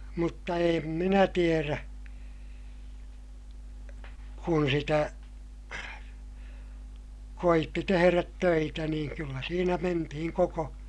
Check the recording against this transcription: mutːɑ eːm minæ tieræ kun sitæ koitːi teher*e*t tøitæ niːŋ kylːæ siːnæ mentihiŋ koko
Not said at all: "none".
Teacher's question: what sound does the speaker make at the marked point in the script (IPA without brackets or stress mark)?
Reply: æ